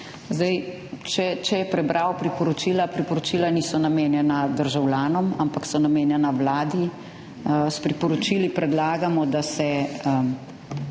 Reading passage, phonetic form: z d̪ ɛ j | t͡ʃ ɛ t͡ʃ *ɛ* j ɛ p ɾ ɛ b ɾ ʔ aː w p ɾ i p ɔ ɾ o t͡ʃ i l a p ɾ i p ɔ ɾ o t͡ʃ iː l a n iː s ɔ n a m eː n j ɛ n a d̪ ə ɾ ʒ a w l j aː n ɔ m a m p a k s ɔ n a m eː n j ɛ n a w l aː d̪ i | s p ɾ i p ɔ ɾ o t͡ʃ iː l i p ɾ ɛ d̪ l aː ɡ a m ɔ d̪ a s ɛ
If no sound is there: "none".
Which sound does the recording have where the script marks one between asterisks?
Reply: ɛ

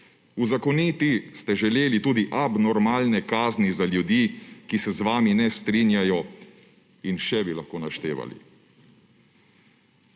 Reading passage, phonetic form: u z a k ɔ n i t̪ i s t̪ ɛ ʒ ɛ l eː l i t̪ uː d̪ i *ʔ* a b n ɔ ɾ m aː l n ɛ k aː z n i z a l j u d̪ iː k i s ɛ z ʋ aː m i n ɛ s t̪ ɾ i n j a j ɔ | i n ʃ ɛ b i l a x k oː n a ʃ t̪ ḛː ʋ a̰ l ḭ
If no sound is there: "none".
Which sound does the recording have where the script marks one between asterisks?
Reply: ʔ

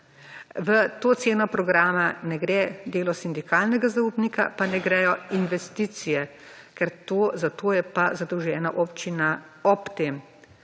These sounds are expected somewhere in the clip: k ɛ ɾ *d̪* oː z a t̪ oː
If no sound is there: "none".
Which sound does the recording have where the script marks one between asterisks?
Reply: t̪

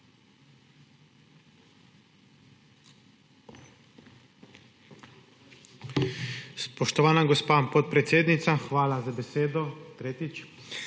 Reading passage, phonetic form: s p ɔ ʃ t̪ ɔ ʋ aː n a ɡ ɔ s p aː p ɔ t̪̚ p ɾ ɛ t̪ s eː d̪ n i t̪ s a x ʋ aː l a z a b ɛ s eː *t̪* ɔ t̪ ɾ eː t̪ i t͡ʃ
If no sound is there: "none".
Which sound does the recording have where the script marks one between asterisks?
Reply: d̪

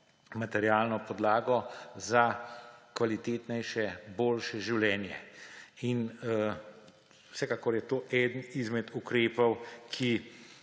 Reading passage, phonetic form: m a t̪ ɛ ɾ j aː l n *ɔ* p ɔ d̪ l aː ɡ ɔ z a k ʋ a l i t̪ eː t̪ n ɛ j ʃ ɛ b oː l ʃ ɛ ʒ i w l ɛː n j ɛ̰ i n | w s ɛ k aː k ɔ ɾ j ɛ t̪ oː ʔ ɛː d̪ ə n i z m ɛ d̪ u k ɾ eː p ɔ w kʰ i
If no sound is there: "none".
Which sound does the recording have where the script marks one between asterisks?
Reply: ɔ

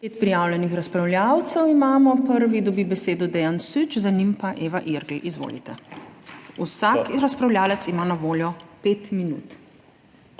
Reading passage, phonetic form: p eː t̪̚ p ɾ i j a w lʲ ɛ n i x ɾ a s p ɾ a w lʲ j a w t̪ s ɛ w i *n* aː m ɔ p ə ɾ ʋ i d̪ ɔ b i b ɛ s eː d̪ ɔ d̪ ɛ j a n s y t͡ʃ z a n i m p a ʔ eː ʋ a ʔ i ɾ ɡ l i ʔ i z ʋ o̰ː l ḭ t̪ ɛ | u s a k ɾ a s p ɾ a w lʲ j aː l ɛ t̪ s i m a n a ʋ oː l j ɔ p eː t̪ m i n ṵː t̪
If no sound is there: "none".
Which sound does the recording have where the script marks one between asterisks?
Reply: m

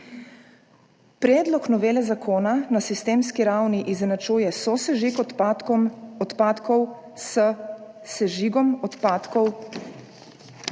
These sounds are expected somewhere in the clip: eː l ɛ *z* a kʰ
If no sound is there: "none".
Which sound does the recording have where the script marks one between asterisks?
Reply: z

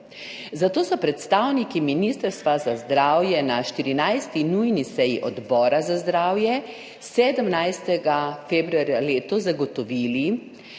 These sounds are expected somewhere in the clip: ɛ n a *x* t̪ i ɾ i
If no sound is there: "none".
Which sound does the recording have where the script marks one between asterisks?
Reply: ʃ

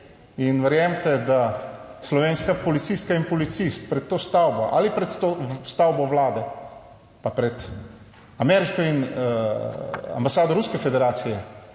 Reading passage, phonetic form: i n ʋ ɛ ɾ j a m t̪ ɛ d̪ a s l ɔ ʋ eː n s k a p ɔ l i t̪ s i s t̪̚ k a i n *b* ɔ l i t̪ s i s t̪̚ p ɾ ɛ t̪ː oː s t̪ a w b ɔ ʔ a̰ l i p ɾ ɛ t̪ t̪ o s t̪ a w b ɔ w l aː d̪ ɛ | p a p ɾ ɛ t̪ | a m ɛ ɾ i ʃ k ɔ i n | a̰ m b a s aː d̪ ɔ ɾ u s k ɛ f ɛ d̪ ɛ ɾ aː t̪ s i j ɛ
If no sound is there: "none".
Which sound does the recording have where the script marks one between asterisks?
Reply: p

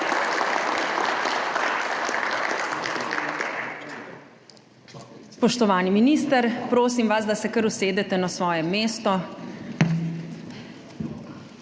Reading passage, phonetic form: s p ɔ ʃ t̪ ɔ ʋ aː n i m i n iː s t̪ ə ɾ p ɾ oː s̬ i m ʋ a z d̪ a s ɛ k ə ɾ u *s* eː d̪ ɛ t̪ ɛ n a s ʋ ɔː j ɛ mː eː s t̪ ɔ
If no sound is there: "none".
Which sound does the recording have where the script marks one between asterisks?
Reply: s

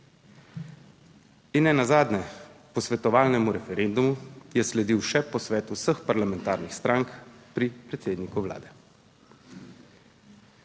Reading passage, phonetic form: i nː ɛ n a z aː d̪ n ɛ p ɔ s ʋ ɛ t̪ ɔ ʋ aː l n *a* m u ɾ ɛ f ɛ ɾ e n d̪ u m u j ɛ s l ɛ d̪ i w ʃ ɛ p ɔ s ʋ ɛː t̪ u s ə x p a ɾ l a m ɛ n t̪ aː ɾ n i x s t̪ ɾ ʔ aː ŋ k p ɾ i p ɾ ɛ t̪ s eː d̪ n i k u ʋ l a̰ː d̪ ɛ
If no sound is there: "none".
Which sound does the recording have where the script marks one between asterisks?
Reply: ɛ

